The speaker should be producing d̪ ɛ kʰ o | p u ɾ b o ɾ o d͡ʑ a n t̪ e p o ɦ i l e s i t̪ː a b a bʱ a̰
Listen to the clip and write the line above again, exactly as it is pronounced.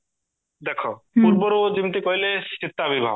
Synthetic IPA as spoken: d̪ ɛ kʰ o | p u ɾ b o ɾ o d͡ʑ i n t̪ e k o ɦ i l e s i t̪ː a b i bʱ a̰

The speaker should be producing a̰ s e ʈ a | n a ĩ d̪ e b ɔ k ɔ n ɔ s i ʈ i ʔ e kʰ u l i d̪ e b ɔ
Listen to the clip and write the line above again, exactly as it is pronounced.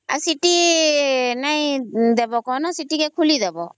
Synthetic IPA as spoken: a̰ s i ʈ i | n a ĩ d̪ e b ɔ k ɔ n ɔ s i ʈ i k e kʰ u l i d̪ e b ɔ

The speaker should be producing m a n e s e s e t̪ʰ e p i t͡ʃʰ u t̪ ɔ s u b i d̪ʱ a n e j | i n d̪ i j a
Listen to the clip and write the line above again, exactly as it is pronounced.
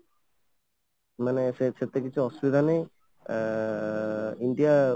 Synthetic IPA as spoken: m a n e s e s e t̪ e k i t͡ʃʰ u ɔ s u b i d̪ʱ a n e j | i n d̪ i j a

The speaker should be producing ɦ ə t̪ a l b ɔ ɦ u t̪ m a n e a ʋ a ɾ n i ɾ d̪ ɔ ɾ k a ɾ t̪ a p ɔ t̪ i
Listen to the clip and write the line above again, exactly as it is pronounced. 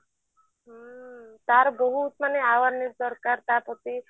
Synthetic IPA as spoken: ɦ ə t̪ a ɾ b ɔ ɦ u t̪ m a n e a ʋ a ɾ n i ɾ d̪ ɔ ɾ k a ɾ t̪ a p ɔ t̪ i

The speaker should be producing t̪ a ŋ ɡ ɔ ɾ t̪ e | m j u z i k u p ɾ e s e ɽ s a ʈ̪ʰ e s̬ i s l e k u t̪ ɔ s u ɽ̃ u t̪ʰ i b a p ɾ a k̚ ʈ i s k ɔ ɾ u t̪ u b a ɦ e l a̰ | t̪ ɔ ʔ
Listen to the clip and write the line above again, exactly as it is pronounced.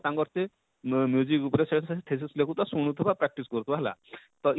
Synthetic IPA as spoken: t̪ a ŋ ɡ ɔ ɾ t̪ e | m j u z i k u p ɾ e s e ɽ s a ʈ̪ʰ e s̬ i s l e k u t̪ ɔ s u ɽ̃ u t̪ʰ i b a p ɾ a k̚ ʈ i s k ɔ ɾ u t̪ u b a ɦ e l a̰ | t̪ ɔ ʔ

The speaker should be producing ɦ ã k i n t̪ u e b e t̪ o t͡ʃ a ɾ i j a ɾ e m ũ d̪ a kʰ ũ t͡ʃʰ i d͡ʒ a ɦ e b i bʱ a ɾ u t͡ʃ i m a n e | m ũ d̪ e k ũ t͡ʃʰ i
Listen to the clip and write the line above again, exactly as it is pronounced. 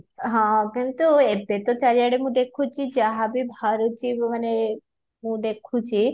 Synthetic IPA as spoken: ɦ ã k i n t̪ u e b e t̪ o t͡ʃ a ɾ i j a ɽ e m ũ d̪ e kʰ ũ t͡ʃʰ i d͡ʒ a ɦ a b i bʱ a ɾ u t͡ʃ i m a n e | m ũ d̪ e kʰ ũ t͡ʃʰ i

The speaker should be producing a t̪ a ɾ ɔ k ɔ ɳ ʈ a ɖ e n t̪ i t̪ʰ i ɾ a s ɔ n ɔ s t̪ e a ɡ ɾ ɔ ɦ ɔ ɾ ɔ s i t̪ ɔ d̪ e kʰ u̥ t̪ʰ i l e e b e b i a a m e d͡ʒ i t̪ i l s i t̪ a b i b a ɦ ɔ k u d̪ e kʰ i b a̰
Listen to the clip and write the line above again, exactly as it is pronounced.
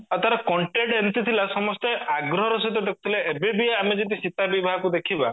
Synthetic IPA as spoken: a t̪ a ɾ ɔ k ɔ ɳ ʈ e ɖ e n t̪ i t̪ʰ i l a s ɔ m ɔ s t̪ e a ɡ ɾ ɔ ɦ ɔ ɾ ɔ s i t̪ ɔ d̪ e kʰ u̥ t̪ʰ i l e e b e b i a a m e d͡ʒ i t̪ i s i t̪ a b i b a ɦ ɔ k u d̪ e kʰ i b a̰

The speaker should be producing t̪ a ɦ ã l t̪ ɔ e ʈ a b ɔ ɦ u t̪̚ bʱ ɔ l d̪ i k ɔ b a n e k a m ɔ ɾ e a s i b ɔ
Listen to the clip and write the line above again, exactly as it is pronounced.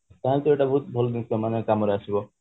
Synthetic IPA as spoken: t̪ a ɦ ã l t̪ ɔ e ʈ a b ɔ ɦ u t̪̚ bʱ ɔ l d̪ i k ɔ m a n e k a m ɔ ɾ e a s i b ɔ

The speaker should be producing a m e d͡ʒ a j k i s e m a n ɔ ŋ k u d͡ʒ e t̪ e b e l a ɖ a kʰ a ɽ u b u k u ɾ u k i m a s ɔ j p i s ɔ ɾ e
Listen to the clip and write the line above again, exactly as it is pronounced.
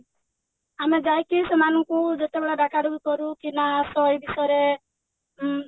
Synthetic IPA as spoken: a m e d͡ʒ a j k i s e m a n ɔ ŋ k u d͡ʒ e t̪ e b e ɭ a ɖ a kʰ a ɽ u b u k ɔ ɾ u k i n a s ɔ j b i s ɔ ɾ e

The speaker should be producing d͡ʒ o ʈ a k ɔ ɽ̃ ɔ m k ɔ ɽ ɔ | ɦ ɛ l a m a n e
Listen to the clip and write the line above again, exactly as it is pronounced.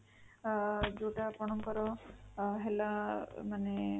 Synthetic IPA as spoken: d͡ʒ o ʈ a p ɔ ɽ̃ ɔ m k ɔ ɾ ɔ | ɦ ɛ l a m a n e

